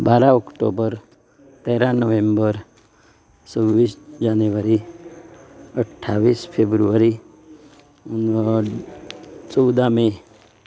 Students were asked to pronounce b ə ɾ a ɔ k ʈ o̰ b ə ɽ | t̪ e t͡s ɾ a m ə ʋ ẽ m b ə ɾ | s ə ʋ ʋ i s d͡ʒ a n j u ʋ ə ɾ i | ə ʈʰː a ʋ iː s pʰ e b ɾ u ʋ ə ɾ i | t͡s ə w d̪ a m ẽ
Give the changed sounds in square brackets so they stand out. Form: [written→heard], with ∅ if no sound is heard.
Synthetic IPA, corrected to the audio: b [ə→a] ɾ a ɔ k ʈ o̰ b ə [ɽ→ɾ] | t̪ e [t͡s→∅] ɾ a [m→n] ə ʋ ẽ m b ə ɾ | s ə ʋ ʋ i s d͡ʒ a n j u ʋ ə ɾ i | ə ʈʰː a ʋ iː s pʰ e b ɾ u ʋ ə ɾ i | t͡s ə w d̪ a m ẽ